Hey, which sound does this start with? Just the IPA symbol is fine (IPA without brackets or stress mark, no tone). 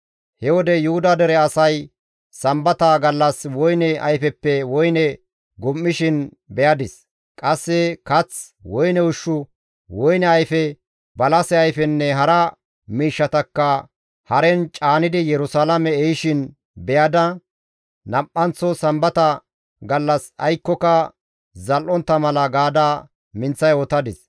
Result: h